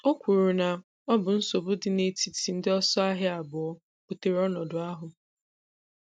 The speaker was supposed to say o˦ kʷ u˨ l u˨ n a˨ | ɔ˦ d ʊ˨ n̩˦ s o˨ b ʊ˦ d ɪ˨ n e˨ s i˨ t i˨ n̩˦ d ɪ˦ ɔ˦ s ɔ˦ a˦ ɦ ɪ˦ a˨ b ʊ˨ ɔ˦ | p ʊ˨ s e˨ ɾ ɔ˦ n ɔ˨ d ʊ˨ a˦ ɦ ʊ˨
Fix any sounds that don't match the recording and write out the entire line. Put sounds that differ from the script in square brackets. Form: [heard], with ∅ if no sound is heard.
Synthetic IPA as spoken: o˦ kʷ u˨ [ɾ] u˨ n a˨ | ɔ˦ [b] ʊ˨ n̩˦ s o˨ b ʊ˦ d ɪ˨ n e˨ [t] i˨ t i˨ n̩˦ d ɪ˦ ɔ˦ s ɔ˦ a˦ ɦ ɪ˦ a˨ b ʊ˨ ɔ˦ | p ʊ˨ [t] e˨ ɾ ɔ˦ n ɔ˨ d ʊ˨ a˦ ɦ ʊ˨

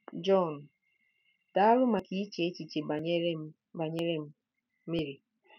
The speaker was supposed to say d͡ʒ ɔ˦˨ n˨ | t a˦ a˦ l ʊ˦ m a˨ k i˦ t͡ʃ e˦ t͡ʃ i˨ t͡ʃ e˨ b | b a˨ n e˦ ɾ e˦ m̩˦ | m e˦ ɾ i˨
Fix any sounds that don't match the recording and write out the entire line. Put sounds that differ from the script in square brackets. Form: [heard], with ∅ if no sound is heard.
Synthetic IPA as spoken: d͡ʒ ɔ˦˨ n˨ | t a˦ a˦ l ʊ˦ m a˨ k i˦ t͡ʃ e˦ t͡ʃ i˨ t͡ʃ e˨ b | b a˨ [ɲ] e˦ ɾ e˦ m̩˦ | m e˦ ɾ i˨

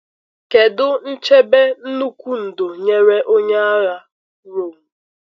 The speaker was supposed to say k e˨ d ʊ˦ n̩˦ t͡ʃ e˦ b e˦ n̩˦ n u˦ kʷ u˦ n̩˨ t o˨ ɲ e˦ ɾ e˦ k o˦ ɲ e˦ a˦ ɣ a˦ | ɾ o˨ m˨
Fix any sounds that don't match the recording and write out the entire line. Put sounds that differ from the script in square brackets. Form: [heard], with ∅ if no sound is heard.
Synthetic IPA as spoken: k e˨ d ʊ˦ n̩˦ t͡ʃ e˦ b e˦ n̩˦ n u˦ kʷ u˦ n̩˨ [d] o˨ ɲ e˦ ɾ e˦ [ʔ] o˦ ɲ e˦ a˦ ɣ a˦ | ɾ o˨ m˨

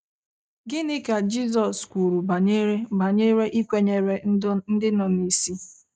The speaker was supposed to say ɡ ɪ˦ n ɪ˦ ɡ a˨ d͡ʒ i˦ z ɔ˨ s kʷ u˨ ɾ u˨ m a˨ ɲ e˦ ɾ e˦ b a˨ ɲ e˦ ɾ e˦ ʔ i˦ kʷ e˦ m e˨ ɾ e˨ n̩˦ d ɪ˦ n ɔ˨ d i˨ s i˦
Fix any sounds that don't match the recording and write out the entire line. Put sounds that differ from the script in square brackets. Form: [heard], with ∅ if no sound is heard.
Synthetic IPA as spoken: ɡ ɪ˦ n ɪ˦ [k] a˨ d͡ʒ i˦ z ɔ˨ s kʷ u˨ ɾ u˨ [b] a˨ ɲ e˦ ɾ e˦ b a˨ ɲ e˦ ɾ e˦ ʔ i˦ kʷ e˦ [ɲ] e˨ ɾ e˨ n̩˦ d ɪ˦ n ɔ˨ [n] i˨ s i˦

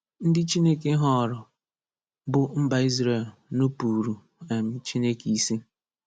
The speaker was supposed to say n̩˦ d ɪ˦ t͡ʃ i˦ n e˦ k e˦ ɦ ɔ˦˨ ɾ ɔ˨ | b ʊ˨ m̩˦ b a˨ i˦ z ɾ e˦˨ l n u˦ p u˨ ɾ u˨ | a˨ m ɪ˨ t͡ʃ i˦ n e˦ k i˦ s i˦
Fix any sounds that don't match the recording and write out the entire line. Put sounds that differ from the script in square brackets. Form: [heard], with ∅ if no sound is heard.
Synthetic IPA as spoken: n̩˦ d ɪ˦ t͡ʃ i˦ n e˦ k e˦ ɦ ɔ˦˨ ɾ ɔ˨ | b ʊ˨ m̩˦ b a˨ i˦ z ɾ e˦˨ l n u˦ p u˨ ɾ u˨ | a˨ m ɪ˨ t͡ʃ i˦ n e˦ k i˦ s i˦

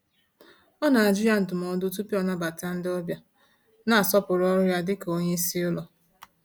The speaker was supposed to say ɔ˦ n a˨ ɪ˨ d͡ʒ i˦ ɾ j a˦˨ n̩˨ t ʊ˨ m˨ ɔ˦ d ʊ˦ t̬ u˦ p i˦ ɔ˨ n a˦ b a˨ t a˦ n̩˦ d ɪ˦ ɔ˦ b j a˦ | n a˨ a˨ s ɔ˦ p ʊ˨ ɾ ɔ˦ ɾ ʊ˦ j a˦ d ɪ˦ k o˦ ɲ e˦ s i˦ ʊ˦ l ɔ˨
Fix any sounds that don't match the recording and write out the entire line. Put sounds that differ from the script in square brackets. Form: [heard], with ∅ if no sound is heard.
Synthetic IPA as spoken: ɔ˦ n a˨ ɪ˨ d͡ʒ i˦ ɾ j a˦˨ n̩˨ t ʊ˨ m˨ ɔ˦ d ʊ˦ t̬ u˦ p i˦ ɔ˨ n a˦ b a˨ t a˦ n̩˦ d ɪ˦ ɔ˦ b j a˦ | n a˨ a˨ s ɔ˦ p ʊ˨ ɾ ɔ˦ ɾ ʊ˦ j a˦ d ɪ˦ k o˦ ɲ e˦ s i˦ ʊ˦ l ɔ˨

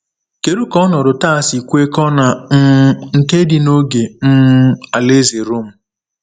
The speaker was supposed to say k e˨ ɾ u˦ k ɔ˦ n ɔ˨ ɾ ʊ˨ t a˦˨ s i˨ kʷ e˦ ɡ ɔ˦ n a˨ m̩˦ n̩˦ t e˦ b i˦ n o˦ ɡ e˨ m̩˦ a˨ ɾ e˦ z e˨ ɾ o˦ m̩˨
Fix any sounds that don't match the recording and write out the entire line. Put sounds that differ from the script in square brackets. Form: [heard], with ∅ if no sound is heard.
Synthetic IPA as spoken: k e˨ ɾ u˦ k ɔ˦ n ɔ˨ ɾ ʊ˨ t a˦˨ s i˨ kʷ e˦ [k] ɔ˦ n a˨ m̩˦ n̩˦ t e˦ [d] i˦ n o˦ ɡ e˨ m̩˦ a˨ [l] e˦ z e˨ ɾ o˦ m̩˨

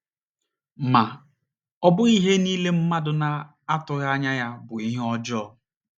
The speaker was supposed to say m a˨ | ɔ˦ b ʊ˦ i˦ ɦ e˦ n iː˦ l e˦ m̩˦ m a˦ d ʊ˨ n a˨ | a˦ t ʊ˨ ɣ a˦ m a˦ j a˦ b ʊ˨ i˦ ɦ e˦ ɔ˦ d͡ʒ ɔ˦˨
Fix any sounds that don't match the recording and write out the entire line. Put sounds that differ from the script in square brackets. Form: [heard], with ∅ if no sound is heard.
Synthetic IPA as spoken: m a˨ | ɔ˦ b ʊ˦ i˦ ɦ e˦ n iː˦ l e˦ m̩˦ m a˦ d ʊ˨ n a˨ | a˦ t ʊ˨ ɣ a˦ [ɲ] a˦ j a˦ b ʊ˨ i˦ ɦ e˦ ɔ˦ d͡ʒ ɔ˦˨

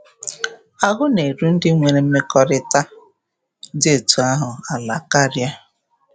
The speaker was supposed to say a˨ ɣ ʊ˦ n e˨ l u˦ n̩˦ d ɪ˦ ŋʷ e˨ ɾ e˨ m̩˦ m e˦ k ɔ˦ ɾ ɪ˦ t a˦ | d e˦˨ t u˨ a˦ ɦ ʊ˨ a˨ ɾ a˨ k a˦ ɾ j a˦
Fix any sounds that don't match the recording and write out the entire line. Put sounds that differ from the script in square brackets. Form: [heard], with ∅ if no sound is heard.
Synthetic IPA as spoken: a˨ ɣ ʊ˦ n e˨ [ɾ] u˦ n̩˦ d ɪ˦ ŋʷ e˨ ɾ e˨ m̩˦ m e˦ k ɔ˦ ɾ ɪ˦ t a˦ | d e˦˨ t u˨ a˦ ɦ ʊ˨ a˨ [l] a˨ k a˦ ɾ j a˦

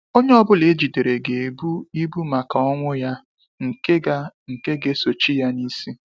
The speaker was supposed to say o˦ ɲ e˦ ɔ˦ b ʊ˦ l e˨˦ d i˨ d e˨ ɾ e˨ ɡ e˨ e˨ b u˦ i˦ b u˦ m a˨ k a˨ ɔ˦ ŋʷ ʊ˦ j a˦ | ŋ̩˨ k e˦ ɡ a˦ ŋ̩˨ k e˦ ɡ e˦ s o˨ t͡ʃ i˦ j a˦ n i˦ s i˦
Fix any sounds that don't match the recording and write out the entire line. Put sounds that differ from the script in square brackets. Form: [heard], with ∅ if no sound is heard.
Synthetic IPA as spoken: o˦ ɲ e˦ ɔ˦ b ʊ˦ l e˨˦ [d͡ʒ] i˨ d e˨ ɾ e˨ ɡ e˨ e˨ b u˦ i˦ b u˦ m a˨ k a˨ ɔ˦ ŋʷ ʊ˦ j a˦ | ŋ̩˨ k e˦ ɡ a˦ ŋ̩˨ k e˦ ɡ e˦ s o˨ t͡ʃ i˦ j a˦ n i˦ s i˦

